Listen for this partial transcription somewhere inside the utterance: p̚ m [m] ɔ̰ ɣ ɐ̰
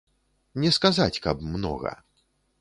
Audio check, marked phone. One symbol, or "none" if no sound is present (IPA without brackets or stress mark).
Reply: n